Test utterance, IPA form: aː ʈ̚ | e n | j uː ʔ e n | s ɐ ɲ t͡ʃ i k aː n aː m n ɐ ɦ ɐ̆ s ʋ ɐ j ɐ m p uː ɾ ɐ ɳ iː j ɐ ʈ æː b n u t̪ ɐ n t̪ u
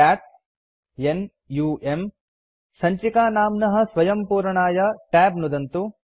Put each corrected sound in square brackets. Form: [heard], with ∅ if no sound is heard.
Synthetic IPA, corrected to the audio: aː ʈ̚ | e n | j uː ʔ e [m] | s ɐ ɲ t͡ʃ i k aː n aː m n ɐ ɦ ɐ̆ s ʋ ɐ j ɐ m p uː ɾ ɐ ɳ [aː] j ɐ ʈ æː b n u [d̪] ɐ n t̪ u